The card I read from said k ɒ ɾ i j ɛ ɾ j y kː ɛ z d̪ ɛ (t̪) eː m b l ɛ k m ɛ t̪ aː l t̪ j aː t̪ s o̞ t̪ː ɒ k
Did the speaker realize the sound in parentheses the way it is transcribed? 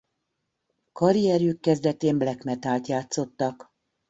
yes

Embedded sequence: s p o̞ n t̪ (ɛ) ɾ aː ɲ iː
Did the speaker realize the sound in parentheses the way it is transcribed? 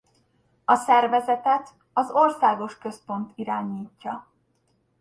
no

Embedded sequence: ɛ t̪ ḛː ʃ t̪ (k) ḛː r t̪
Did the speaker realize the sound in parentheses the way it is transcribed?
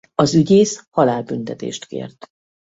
yes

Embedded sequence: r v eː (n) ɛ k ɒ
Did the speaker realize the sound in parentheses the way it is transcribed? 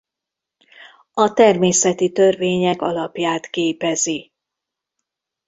no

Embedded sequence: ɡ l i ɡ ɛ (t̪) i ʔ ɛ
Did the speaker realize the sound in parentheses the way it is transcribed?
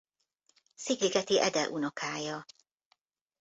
yes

